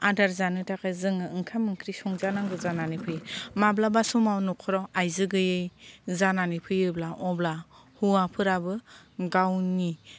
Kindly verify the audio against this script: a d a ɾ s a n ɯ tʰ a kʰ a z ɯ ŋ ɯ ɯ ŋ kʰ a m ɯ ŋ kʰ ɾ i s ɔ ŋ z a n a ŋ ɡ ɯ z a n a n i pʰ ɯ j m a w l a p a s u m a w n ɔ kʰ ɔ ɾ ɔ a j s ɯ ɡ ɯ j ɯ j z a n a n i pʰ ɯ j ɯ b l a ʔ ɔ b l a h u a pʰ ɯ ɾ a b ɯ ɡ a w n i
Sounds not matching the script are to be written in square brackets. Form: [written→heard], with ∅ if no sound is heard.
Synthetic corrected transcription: a d a ɾ [s→z] a n ɯ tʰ a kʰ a z ɯ ŋ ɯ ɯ ŋ kʰ a m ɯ ŋ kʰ ɾ i s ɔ ŋ z a n a ŋ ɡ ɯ z a n a n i pʰ ɯ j m a [w→b] l a [p→b] a s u m a w n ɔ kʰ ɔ ɾ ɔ a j [s→z] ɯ ɡ ɯ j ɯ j z a n a n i pʰ ɯ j ɯ b l a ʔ ɔ b l a h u a pʰ ɯ ɾ a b ɯ ɡ a w n i